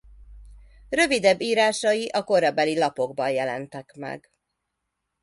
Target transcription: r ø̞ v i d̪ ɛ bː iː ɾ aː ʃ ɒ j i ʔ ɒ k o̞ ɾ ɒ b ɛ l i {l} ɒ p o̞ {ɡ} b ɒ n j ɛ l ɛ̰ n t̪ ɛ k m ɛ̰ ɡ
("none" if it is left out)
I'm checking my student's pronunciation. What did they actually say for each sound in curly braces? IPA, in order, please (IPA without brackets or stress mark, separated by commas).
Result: l, ɡ